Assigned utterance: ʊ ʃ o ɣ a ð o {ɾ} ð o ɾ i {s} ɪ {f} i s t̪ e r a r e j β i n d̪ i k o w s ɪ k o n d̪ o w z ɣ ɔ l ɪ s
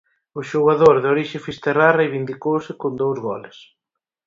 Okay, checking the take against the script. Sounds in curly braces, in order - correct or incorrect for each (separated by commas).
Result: correct, incorrect, correct